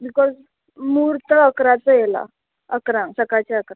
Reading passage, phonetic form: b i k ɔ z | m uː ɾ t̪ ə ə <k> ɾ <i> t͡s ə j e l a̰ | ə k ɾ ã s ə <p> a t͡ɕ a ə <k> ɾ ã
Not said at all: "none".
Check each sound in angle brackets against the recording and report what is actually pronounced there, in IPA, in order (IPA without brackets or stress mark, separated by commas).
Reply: k, a, k, k